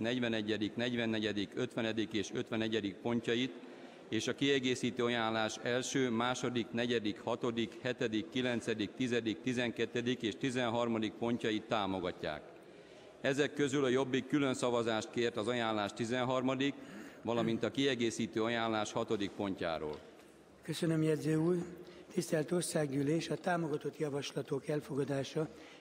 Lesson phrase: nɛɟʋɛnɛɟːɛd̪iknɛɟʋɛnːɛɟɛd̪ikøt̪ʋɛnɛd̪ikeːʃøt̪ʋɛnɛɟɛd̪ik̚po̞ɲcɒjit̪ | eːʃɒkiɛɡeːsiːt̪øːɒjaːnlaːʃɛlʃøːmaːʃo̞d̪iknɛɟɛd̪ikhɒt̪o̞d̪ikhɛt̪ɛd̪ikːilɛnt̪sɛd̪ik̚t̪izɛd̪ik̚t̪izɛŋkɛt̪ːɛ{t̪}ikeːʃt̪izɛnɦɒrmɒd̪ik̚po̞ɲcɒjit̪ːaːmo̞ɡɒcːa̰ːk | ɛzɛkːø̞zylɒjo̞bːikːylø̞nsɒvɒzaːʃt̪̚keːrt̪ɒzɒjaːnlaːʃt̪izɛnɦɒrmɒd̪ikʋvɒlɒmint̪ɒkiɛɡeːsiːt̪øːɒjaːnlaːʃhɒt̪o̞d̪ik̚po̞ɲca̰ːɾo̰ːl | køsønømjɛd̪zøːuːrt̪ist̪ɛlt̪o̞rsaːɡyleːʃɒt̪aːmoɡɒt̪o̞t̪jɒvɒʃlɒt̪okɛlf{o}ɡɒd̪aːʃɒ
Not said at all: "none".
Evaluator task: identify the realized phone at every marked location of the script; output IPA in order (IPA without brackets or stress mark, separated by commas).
d̪, o